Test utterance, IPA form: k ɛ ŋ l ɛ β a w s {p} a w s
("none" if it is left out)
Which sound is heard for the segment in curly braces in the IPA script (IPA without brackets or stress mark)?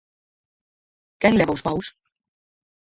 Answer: p